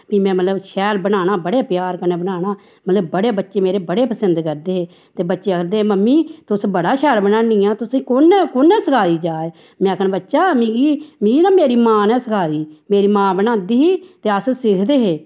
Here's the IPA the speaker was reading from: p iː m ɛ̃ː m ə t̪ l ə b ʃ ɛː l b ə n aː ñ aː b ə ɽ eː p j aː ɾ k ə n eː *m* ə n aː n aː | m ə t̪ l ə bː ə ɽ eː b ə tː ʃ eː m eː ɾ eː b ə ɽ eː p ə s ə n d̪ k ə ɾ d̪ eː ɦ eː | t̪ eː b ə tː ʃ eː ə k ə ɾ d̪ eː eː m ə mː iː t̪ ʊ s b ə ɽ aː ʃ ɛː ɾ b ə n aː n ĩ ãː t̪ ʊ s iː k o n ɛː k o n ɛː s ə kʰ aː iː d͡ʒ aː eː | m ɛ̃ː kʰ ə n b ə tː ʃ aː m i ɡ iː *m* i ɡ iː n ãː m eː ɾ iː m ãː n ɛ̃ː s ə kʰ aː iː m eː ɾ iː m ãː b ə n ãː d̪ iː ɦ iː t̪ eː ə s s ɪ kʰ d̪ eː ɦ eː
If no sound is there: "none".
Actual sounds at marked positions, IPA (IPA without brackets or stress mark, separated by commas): b, m